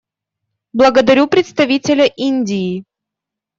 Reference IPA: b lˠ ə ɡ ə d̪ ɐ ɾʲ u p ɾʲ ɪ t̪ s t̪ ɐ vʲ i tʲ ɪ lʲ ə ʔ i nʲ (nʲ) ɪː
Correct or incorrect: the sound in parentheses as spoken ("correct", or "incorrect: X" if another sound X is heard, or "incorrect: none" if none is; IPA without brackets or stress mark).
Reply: incorrect: dʲ